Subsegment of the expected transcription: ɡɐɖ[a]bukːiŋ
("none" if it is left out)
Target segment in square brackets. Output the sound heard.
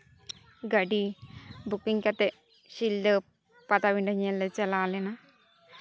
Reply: i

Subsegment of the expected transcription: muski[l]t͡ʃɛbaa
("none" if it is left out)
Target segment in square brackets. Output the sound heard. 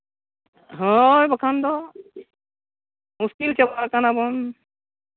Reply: l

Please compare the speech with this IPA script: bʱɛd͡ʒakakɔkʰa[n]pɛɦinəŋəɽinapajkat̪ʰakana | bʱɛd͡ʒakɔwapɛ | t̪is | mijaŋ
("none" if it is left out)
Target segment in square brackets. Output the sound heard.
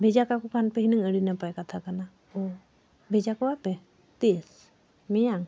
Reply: n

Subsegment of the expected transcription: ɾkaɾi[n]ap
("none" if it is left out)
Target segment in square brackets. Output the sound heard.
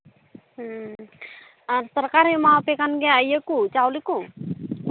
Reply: m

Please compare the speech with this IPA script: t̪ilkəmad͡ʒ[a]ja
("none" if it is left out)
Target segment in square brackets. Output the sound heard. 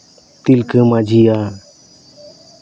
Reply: i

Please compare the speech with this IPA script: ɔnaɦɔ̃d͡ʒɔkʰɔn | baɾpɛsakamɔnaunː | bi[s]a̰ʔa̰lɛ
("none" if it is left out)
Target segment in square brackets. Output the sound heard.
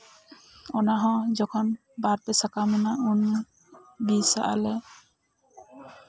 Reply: s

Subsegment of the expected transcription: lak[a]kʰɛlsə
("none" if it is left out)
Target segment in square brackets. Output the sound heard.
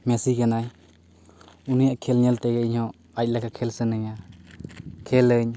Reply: a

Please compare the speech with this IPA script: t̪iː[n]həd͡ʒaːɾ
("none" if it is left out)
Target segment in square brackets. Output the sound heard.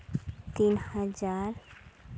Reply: n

